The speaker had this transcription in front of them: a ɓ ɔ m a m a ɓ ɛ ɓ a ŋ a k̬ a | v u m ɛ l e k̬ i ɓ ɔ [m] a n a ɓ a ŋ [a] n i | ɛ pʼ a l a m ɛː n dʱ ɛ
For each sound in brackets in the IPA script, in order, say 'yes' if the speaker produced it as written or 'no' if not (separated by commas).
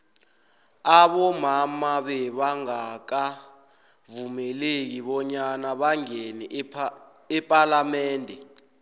no, no